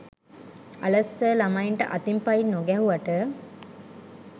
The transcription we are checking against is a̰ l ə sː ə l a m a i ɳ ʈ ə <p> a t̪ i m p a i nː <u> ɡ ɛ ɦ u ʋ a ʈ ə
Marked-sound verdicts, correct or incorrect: incorrect: ʔ, incorrect: o

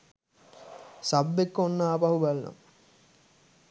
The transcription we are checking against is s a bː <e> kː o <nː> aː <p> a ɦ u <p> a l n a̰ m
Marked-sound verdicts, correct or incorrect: correct, correct, correct, incorrect: b

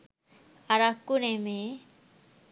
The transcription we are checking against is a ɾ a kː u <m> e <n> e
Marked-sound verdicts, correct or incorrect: incorrect: n, incorrect: m

